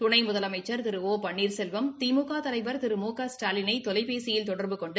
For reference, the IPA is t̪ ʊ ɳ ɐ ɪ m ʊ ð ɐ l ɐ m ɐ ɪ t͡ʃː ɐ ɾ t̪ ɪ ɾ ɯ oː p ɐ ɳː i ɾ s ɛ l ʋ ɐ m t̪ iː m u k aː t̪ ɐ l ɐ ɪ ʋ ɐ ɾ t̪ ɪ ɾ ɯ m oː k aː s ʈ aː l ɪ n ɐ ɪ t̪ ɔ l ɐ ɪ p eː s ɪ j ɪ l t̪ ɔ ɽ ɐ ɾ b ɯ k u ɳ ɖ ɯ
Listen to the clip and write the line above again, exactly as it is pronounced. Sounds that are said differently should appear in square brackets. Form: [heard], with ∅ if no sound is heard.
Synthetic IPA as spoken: t̪ ʊ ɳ ɐ ɪ m ʊ ð ɐ l ɐ m ɐ ɪ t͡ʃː ɐ ɾ t̪ ɪ ɾ ɯ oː p ɐ ɳː [iː] ɾ s ɛ l ʋ ɐ m t̪ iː m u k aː t̪ ɐ l ɐ ɪ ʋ ɐ ɾ t̪ ɪ ɾ ɯ m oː k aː s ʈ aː l ɪ n ɐ ɪ t̪ ɔ l ɐ ɪ p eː s ɪ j ɪ l t̪ ɔ ɽ ɐ ɾ b ɯ k [ɔ] ɳ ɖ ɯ